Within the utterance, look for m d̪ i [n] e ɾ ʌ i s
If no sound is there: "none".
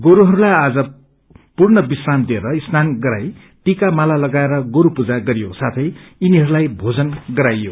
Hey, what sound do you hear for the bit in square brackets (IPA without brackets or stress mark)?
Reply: none